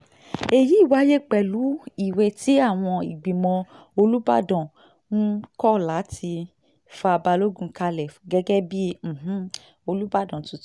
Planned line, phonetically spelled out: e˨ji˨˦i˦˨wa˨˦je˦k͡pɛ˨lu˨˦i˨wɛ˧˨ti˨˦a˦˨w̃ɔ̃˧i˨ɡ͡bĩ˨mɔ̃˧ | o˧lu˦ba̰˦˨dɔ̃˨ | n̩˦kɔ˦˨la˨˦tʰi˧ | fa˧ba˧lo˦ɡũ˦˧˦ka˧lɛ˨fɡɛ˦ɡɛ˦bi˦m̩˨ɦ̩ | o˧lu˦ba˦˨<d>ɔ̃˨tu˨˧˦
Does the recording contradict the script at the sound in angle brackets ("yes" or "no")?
no